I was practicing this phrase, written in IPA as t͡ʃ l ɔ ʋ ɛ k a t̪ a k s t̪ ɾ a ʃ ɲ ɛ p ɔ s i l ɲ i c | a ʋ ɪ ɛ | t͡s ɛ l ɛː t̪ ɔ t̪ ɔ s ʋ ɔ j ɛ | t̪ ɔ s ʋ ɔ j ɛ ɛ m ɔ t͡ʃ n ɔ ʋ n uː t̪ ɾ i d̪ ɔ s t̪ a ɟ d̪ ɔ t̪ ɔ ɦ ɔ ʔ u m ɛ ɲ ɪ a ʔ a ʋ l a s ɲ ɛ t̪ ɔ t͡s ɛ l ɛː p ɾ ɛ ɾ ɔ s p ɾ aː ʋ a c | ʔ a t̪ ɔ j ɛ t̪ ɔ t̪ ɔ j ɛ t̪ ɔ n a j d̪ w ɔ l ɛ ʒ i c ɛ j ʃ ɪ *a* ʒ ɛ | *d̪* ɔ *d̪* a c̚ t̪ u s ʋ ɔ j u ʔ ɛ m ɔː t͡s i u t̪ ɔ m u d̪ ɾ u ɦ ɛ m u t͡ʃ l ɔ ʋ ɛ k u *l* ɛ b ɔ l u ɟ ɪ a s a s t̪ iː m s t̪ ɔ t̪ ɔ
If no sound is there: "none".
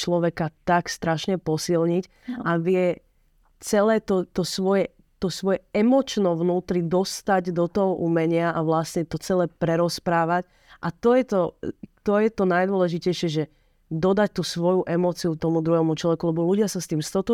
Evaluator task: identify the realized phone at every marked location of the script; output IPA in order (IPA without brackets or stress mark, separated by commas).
ɛ, d̪, d̪, l